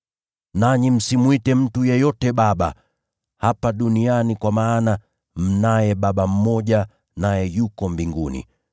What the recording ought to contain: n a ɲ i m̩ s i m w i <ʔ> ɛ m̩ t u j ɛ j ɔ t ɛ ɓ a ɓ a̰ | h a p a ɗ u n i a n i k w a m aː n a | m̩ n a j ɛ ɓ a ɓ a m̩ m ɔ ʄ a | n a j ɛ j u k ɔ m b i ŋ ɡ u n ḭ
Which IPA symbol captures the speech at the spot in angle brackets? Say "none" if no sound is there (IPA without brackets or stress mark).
t